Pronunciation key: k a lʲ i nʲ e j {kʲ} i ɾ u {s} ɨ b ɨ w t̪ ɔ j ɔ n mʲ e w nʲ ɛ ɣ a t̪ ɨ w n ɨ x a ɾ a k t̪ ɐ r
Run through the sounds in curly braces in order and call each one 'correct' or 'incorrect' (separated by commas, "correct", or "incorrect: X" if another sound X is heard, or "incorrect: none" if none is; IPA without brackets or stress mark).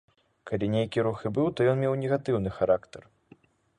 correct, incorrect: x